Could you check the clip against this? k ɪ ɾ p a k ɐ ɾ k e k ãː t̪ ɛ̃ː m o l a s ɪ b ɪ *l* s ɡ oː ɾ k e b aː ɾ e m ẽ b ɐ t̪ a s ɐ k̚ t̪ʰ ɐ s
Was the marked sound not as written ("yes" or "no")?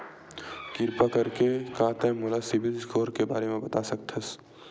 no